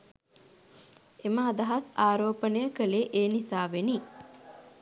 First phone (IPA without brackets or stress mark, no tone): e